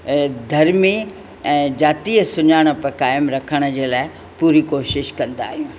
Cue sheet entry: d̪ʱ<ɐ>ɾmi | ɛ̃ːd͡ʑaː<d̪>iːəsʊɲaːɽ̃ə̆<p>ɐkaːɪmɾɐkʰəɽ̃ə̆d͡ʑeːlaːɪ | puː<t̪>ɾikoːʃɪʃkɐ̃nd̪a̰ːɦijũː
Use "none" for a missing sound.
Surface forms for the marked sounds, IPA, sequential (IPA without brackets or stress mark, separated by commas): ɐ, t̪, p, none